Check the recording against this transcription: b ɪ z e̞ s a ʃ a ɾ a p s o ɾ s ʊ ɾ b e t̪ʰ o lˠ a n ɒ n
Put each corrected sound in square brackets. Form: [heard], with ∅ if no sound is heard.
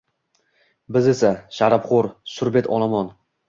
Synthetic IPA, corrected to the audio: b ɪ z e̞ s a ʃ a ɾ a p [χ] o ɾ s ʊ ɾ b e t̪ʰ [ɒ] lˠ a [m] ɒ n